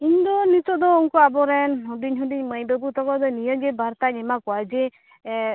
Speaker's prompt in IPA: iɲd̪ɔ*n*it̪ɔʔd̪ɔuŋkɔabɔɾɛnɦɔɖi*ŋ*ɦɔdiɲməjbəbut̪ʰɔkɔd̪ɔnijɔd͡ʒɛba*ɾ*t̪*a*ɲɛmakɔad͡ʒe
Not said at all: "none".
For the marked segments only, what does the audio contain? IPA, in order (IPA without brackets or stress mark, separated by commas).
n, ɲ, ɾ, a